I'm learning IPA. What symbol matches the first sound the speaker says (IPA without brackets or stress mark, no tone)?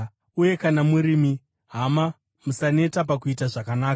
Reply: u